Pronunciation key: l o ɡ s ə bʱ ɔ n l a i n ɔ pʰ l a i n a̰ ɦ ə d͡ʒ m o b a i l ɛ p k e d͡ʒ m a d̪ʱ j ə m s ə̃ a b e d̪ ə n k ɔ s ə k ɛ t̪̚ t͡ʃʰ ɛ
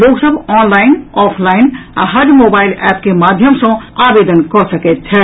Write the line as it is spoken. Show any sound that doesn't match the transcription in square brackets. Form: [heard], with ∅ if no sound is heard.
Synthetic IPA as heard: l o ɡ s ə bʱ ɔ n l a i n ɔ pʰ l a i n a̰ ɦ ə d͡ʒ m o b a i l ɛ p k e [∅] m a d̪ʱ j ə m s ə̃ a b e d̪ ə n k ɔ s ə k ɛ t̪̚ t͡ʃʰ ɛ